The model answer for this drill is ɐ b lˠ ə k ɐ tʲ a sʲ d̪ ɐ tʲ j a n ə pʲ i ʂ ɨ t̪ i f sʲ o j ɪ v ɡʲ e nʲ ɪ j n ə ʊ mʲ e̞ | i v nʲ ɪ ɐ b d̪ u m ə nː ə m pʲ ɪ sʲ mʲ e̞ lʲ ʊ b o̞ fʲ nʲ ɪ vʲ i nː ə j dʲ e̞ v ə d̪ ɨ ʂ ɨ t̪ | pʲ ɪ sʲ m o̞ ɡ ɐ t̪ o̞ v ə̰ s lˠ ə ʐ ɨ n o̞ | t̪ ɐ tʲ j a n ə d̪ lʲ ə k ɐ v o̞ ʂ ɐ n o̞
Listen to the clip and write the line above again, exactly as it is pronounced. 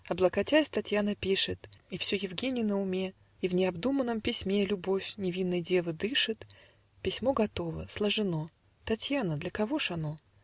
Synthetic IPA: ɐ b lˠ ə k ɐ tʲ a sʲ t̪ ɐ tʲ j a n ə pʲ i ʂ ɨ t̪ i f sʲ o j ɪ v ɡʲ e nʲ ɪ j n ə ʊ mʲ e̞ | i v nʲ ɪ ɐ b d̪ u m ə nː ə m pʲ ɪ sʲ mʲ e̞ lʲ ʊ b o̞ fʲ nʲ ɪ vʲ i nː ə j dʲ e̞ v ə d̪ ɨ ʂ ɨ t̪ | pʲ ɪ sʲ m o̞ ɡ ɐ t̪ o̞ v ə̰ s lˠ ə ʐ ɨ n o̞ | t̪ ɐ tʲ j a n ə d̪ lʲ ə k ɐ v o̞ ʂ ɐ n o̞